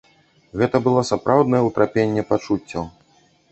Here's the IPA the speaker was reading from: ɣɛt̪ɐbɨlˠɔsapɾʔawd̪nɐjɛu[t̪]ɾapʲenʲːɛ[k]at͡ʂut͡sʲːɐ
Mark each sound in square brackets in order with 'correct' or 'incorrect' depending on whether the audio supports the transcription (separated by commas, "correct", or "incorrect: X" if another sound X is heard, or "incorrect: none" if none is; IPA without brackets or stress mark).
correct, incorrect: p